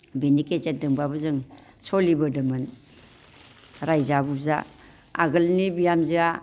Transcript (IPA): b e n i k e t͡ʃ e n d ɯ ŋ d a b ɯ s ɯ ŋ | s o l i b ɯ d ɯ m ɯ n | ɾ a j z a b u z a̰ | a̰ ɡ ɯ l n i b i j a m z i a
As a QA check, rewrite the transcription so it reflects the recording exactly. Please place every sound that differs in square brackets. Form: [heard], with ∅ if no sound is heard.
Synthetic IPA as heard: b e n i k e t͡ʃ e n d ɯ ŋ [b] a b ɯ [z] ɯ ŋ | s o l i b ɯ d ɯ m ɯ n | ɾ a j z a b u z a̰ | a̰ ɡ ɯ l n i b i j a m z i a